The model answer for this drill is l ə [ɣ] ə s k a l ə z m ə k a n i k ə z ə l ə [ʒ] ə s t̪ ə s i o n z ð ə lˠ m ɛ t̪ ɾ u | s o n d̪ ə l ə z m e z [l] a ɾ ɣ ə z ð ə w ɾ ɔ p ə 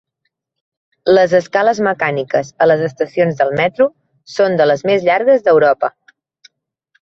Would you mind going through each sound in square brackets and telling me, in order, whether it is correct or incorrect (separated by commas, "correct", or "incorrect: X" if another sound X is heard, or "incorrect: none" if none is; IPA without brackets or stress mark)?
incorrect: z, incorrect: z, incorrect: ʎ